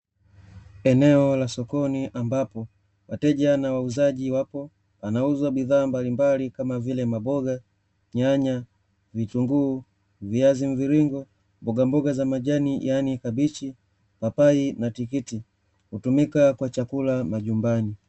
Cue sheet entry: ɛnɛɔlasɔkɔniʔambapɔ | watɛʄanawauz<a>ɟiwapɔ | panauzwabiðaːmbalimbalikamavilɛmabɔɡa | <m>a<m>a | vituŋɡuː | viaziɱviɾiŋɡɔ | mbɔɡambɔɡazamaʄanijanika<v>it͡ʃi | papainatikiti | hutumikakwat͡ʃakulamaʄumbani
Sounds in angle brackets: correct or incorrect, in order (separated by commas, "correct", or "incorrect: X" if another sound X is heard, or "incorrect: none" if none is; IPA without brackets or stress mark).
correct, incorrect: ɲ, incorrect: ɲ, incorrect: b